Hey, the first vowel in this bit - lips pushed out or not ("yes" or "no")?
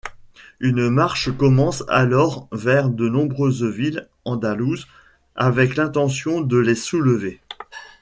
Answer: yes